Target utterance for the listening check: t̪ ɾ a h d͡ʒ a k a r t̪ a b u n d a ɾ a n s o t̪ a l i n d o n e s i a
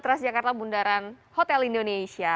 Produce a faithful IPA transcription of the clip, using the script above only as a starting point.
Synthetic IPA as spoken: t̪ ɾ a s d͡ʒ a k a r t̪ a b u n d a ɾ a n h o t̪ ɛ l i n d o n e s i a